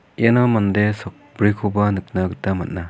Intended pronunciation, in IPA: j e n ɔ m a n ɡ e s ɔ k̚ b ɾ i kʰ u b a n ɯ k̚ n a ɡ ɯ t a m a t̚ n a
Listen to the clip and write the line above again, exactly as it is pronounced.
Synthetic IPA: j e n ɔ m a n d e s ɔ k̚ b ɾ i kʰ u b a n ɯ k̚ n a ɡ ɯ t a m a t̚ n a

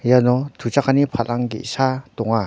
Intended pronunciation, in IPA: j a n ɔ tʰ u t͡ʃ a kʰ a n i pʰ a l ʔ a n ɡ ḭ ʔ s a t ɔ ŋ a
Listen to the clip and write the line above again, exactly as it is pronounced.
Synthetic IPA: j a n ɔ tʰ u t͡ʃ a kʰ a n i pʰ a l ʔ a ŋ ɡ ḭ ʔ s a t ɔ ŋ a

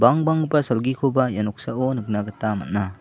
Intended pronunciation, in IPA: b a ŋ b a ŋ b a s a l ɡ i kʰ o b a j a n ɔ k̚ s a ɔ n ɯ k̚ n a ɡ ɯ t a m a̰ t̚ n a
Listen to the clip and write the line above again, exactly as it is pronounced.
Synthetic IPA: b a ŋ b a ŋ b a s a l ɡ i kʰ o b a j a n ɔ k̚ s a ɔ n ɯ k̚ n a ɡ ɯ t a m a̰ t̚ n a

